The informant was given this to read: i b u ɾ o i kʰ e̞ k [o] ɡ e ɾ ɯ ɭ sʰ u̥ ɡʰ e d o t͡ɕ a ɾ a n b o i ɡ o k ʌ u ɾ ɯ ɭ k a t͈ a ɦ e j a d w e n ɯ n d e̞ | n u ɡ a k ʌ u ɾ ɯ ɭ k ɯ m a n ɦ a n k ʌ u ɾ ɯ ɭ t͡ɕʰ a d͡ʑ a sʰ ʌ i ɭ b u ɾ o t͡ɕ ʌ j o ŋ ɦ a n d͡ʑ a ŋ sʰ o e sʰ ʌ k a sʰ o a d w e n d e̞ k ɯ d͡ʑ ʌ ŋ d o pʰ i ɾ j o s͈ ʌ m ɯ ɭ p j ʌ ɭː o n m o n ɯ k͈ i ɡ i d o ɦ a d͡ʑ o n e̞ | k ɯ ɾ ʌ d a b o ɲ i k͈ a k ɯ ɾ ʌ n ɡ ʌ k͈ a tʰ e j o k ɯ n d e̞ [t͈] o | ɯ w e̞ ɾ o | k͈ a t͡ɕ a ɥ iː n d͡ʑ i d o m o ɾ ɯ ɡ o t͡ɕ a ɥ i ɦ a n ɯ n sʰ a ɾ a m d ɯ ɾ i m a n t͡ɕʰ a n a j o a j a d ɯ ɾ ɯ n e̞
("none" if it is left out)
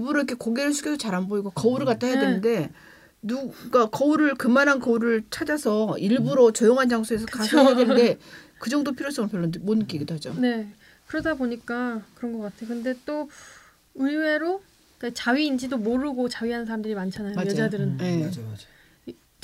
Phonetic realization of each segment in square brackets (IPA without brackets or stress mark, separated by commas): o, t͈